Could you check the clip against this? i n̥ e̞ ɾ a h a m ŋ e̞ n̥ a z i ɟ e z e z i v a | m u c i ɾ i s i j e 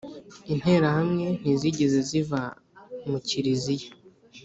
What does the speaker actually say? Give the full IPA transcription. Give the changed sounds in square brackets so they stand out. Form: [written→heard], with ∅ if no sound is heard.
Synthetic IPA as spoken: i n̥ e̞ ɾ a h a m ŋ e̞ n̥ [a→i] z i ɟ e z e z i v a | m u c i ɾ i [s→z] i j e